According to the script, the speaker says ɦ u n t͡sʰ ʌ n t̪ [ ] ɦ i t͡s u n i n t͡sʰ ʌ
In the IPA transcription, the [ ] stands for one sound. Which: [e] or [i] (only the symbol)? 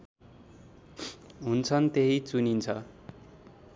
e